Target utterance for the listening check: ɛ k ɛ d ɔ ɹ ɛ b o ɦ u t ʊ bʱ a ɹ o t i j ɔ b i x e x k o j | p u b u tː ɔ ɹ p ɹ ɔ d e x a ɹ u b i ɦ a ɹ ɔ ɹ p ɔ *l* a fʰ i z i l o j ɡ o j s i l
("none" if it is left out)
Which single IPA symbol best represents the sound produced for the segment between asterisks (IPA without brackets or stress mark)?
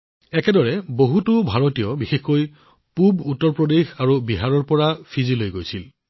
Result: ɹ